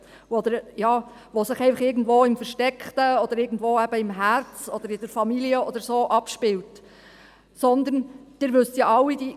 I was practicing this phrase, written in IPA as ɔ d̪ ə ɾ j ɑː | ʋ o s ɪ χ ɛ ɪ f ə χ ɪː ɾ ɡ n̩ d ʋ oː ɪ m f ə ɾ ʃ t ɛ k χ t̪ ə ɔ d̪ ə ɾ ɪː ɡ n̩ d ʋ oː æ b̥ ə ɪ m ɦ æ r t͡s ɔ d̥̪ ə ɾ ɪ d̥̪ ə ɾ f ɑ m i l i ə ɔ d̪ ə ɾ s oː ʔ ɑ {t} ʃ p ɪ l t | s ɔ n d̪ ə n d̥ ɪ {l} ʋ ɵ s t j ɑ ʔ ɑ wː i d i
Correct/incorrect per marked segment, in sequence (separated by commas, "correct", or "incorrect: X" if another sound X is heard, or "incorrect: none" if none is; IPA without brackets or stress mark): incorrect: p, incorrect: ɾ